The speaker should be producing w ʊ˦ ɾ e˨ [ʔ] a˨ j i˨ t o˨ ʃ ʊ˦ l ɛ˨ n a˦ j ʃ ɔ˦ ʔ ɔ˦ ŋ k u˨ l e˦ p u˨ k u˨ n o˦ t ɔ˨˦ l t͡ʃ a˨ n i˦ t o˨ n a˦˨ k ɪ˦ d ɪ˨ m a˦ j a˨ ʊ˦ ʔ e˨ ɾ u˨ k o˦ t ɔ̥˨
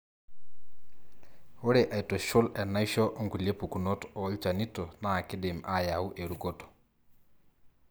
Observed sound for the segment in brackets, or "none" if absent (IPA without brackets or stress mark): ʔ